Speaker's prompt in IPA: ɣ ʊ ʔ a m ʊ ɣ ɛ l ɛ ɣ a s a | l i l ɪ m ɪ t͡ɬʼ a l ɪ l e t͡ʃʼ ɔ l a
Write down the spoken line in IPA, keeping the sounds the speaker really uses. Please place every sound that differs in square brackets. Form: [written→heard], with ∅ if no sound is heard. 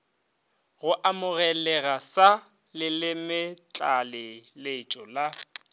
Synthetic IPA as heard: ɣ ʊ ʔ a m ʊ ɣ ɛ l ɛ ɣ a s a | l [i→ɪ] l ɪ m ɪ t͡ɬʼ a l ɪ l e t͡ʃʼ ɔ l a